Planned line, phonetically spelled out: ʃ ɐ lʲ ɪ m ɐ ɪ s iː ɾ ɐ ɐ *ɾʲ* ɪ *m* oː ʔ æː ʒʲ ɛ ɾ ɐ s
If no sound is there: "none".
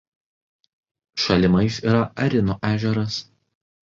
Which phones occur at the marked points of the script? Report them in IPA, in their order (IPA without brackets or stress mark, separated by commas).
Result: ɾʲ, n